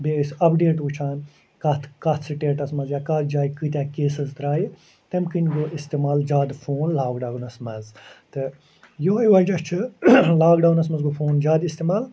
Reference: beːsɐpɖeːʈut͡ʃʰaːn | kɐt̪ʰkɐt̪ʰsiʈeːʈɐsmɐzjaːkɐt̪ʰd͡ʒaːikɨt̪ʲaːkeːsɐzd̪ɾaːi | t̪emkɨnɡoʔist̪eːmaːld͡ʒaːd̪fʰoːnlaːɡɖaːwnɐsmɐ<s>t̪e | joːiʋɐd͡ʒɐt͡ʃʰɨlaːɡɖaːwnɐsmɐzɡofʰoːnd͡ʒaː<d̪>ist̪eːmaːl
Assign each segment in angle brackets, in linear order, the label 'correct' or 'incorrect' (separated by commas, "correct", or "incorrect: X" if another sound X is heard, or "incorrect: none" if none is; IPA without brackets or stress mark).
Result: incorrect: z, correct